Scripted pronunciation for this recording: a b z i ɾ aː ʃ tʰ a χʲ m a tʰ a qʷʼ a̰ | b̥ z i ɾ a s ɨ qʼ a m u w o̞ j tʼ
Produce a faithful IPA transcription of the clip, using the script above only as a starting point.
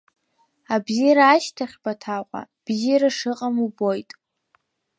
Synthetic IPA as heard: a b z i ɾ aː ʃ tʰ a χʲ b a tʰ a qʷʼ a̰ | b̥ z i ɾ a ʂ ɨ qʼ a m u b o̞ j tʼ